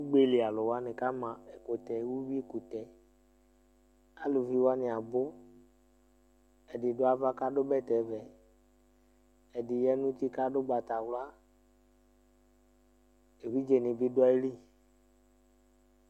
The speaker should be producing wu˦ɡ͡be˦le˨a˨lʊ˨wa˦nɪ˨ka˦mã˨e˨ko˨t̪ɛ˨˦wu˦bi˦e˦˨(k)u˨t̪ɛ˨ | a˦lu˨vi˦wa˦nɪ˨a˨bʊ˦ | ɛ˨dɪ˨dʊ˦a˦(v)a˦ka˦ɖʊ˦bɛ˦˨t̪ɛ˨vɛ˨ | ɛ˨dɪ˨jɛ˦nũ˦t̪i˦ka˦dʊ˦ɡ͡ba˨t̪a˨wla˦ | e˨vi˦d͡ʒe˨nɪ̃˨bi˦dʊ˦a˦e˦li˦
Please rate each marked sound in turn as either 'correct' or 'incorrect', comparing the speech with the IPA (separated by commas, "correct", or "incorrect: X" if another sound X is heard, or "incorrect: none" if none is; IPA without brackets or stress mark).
correct, correct